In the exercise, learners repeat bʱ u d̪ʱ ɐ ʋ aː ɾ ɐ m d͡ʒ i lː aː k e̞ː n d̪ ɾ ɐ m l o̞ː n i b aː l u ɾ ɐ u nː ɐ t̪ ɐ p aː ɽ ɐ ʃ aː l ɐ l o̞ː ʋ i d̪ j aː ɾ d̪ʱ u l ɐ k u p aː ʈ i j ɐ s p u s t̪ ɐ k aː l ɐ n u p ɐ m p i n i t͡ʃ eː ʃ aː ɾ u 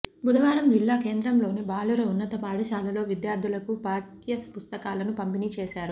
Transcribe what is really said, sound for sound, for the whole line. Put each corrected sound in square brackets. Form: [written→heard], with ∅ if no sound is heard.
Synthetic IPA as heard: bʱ u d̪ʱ ɐ ʋ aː ɾ ɐ m d͡ʒ i lː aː k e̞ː n d̪ ɾ ɐ m l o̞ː n i b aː l u ɾ ɐ u nː ɐ t̪ ɐ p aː ɽ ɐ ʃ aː l ɐ l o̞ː ʋ i d̪ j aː ɾ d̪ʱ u l ɐ k u p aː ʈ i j ɐ s p u s t̪ ɐ k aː l ɐ n u p ɐ m p i n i t͡ʃ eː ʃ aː ɾ u

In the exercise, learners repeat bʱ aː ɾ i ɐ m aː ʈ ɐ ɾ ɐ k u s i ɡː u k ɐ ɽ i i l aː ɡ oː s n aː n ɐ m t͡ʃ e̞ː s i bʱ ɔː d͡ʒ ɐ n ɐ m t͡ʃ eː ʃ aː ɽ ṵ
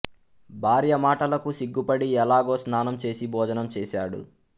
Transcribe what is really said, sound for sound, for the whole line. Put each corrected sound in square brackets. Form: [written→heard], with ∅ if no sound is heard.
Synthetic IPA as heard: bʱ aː ɾ [i→j] ɐ m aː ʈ ɐ [ɾ→l] ɐ k u s i ɡː u [k→p] ɐ ɽ i [i→ɛ] l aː ɡ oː s n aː n ɐ m t͡ʃ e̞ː s i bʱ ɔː d͡ʒ ɐ n ɐ m t͡ʃ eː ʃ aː ɽ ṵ

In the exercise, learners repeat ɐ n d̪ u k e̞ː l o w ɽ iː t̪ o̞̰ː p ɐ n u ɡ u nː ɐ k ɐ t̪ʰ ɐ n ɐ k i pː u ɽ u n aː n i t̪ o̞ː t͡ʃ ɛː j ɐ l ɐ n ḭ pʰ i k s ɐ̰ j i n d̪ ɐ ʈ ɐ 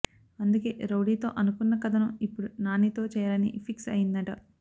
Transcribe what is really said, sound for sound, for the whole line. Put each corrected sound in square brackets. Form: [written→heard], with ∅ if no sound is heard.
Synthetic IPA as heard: ɐ n d̪ u k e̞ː [l→ɾ] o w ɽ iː t̪ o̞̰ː [p→ʔ] ɐ n u [ɡ→k] u nː ɐ k ɐ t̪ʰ ɐ n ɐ [k→∅] i pː u ɽ u n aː n i t̪ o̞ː t͡ʃ ɛː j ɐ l ɐ n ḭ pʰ i k s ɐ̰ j i n d̪ ɐ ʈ ɐ

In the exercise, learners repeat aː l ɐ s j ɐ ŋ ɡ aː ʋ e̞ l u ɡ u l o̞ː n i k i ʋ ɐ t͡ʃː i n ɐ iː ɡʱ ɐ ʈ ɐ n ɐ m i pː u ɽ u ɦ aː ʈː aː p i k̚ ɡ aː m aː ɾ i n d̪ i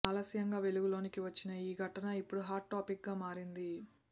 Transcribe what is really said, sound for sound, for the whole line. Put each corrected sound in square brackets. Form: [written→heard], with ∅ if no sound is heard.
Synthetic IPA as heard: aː l ɐ s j ɐ ŋ ɡ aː ʋ e̞ l u ɡ u l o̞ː n i k i ʋ ɐ t͡ʃː i n ɐ iː ɡʱ ɐ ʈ ɐ n ɐ [m→∅] i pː u ɽ u ɦ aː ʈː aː p i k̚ ɡ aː m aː ɾ i n d̪ i

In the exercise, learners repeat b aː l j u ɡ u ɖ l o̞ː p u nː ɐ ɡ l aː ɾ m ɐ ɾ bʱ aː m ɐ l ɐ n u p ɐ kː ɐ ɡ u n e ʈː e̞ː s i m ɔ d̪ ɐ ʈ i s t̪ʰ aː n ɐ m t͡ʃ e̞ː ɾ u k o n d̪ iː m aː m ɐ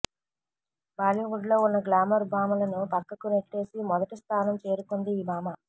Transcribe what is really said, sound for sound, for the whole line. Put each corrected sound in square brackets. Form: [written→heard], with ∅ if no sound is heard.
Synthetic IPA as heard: b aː l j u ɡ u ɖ l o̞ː [p→∅] u nː ɐ ɡ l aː [ɾ→∅] m ɐ ɾ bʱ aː m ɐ l ɐ n u p ɐ kː ɐ [ɡ→k] u n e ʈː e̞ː s i m ɔ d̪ ɐ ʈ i s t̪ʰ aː n ɐ m t͡ʃ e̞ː ɾ u k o n d̪ iː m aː m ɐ

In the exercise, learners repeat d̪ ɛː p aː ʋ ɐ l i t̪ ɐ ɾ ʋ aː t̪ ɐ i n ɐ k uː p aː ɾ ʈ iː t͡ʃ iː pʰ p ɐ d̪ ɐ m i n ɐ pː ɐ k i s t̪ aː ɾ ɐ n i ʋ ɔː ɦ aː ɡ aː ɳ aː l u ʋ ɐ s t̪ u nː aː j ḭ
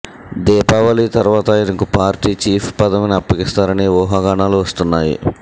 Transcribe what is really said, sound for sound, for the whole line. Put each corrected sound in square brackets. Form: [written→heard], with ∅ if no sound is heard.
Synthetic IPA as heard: d̪ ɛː p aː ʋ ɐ l i t̪ ɐ ɾ ʋ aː t̪ ɐ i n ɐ k [uː→u] p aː ɾ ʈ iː t͡ʃ iː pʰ p ɐ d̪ ɐ m i n ɐ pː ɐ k i s t̪ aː ɾ ɐ n i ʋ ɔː ɦ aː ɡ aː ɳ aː l u ʋ ɐ s t̪ u nː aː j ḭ

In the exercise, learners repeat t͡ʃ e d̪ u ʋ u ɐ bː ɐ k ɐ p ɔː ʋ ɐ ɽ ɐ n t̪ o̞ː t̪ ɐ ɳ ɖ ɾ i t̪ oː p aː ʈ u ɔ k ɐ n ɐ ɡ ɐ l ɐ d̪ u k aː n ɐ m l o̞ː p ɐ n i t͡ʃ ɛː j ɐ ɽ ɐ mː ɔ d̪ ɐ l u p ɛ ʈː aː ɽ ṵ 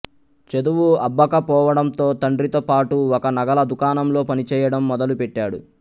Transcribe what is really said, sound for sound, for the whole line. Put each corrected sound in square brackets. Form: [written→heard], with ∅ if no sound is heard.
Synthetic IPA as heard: t͡ʃ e d̪ u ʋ u ɐ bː ɐ k ɐ p ɔː ʋ ɐ ɽ ɐ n t̪ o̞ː t̪ ɐ ɳ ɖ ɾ i t̪ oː p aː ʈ u ɔ k ɐ n ɐ ɡ ɐ l ɐ d̪ u k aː n ɐ m l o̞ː p ɐ n i t͡ʃ ɛː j ɐ ɽ ɐ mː ɔ d̪ ɐ l u p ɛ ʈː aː ɽ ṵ

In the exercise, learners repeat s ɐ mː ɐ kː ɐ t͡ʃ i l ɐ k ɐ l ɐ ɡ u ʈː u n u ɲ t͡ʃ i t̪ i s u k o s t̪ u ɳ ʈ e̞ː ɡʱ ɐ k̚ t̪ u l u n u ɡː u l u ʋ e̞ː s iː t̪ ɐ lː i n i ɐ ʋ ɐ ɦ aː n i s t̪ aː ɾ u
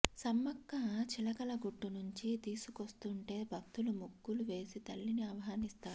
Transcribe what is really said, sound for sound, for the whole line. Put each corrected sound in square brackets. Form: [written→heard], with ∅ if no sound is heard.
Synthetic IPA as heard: s ɐ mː ɐ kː ɐ t͡ʃ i l ɐ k ɐ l ɐ ɡ u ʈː u n u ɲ t͡ʃ i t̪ [i→iː] s u k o s t̪ u ɳ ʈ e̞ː [ɡʱ→bʱ] ɐ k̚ t̪ u l u [n→m] u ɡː u l u ʋ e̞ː s [iː→i] t̪ ɐ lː i n i ɐ ʋ ɐ ɦ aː n i s t̪ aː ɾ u

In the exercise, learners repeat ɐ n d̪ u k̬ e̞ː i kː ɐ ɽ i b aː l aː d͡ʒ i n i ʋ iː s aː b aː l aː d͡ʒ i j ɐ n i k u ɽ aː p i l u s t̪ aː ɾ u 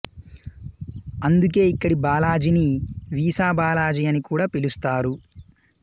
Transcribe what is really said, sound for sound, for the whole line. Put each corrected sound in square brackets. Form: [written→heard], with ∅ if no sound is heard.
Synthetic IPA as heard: ɐ n d̪ u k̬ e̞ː i kː ɐ ɽ i b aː l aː d͡ʒ i n i ʋ iː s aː b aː l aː d͡ʒ i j ɐ n i k [u→uː] ɽ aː p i l u s t̪ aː ɾ u

